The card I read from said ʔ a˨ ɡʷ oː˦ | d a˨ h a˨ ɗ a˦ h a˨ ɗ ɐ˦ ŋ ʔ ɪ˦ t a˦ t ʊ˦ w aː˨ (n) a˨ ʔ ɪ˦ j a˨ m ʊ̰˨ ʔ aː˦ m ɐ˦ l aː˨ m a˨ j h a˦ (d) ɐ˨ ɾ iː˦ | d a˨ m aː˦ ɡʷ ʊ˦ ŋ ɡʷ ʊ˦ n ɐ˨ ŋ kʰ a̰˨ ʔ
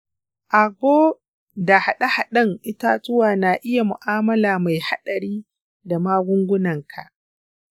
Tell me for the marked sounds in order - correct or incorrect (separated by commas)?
correct, incorrect